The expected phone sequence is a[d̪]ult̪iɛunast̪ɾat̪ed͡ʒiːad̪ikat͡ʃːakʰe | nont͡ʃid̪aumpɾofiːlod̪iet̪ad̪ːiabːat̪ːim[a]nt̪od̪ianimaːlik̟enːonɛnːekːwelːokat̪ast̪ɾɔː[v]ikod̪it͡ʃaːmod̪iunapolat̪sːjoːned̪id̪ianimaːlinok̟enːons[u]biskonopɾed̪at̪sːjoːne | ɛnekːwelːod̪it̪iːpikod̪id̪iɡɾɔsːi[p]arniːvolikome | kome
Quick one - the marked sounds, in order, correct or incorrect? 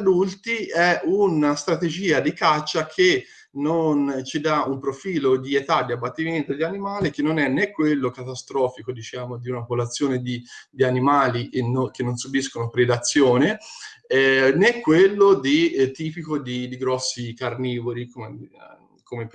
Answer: correct, incorrect, incorrect, correct, incorrect

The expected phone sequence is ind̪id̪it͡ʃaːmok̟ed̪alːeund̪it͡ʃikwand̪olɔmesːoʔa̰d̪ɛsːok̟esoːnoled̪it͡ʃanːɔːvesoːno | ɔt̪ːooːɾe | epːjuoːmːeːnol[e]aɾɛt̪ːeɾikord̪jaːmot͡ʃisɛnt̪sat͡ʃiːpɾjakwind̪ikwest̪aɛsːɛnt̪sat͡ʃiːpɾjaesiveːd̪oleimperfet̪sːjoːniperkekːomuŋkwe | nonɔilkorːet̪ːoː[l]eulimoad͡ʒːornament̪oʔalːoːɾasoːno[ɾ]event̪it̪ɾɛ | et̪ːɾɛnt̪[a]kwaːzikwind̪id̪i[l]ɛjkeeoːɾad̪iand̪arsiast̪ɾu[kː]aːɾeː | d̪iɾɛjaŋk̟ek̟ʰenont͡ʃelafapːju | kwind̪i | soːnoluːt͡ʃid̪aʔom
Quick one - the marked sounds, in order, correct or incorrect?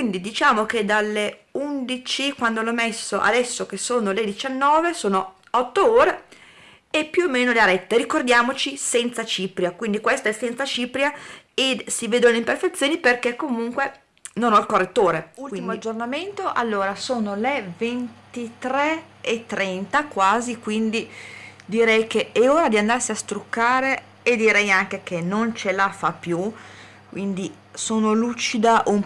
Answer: correct, incorrect, incorrect, correct, incorrect, correct

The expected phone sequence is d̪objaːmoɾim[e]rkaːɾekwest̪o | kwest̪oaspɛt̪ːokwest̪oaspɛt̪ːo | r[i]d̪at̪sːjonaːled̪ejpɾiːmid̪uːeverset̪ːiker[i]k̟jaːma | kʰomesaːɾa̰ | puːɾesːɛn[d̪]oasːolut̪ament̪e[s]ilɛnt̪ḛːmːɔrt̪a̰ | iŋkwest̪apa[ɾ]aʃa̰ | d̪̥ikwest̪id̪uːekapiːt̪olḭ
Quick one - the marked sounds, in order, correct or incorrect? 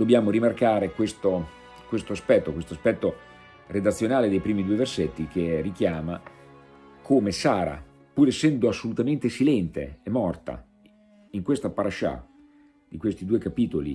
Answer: incorrect, incorrect, correct, correct, correct, correct

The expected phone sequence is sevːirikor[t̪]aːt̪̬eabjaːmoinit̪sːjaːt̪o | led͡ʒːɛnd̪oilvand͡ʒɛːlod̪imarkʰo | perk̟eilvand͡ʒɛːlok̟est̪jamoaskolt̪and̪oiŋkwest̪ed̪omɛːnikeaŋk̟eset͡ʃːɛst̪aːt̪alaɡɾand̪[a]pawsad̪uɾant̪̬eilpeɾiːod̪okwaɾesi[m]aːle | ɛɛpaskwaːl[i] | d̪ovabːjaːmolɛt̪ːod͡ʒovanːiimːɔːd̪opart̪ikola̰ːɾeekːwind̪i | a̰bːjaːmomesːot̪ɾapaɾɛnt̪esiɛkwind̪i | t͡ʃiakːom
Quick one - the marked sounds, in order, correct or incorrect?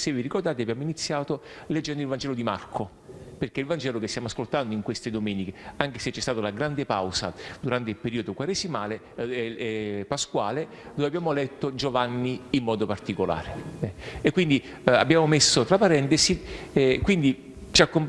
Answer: incorrect, incorrect, correct, incorrect

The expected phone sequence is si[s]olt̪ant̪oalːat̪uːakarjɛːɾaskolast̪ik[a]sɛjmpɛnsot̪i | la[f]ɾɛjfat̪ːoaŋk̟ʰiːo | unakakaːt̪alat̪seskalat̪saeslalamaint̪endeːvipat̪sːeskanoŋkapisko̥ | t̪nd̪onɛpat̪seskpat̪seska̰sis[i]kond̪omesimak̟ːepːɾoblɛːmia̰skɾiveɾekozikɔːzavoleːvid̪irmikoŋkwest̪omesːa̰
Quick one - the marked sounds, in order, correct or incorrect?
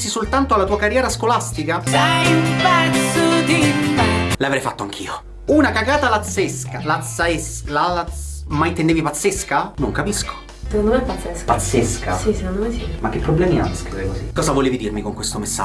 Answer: correct, correct, incorrect, incorrect

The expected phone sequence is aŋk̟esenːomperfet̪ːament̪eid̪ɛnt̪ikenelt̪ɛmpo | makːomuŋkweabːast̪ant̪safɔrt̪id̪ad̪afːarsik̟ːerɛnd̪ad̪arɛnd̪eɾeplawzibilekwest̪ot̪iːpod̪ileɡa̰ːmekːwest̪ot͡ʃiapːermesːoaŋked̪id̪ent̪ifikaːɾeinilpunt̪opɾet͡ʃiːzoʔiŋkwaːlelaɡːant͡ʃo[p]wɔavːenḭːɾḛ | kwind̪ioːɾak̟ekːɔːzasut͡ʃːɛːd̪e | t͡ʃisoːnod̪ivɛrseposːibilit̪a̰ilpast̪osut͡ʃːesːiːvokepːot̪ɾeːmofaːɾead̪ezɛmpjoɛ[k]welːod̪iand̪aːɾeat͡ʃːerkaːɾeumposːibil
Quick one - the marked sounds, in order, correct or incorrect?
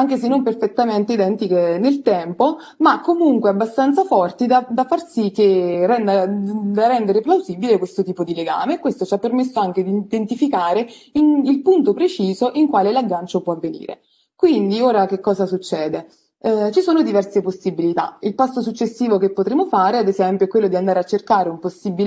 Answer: correct, correct

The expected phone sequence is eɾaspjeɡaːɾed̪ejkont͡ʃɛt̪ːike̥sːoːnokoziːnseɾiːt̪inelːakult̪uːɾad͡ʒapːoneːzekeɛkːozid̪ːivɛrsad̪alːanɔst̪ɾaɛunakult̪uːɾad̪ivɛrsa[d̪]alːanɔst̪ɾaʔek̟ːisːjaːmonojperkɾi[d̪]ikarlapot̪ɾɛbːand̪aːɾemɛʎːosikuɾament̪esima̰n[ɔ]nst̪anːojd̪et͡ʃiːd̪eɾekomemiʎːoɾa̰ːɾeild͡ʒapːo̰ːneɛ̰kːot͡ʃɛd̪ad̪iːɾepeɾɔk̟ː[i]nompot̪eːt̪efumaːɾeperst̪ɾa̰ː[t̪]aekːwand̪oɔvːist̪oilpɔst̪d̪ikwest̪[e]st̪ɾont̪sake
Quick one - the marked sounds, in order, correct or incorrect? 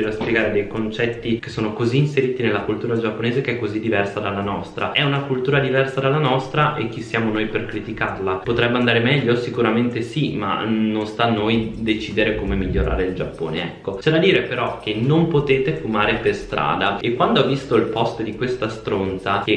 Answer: correct, incorrect, incorrect, incorrect, incorrect, incorrect

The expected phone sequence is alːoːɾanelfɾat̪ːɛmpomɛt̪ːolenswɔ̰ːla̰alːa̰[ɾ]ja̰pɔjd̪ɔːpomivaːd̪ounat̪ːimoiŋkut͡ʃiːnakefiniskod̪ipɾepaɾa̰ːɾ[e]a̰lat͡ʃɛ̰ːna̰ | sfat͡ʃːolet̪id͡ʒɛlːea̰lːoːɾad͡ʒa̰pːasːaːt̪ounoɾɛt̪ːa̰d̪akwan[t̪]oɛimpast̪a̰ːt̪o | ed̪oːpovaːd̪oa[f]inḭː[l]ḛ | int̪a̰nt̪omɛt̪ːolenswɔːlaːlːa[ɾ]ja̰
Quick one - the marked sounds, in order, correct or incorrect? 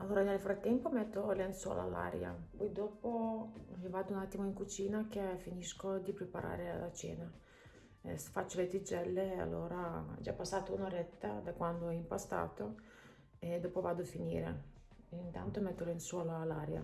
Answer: correct, correct, incorrect, correct, incorrect, correct

